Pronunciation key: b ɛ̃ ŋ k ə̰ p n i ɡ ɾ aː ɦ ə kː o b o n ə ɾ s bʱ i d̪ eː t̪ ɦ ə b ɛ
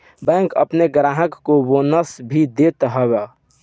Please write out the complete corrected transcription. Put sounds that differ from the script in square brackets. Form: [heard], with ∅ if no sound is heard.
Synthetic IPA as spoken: b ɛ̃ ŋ k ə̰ p n [e] ɡ ɾ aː ɦ ə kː o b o n ə [∅] s bʱ i d̪ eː t̪ ɦ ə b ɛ